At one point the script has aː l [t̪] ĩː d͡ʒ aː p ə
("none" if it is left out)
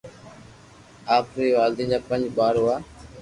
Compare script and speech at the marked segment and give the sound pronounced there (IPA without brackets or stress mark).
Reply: d̪